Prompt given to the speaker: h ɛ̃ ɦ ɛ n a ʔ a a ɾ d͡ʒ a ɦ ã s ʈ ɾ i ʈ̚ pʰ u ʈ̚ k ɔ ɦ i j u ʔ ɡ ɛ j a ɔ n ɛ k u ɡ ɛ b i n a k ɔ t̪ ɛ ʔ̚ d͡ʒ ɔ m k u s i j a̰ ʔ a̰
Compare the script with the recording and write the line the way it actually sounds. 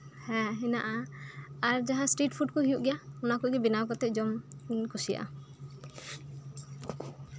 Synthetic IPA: h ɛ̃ ɦ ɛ n a ʔ a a ɾ d͡ʒ a ɦ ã s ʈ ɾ i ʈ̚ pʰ u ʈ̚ k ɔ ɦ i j u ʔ ɡ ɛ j a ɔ n a k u ɡ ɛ b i n a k ɔ t̪ ɛ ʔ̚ d͡ʒ ɔ m k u s i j a̰ ʔ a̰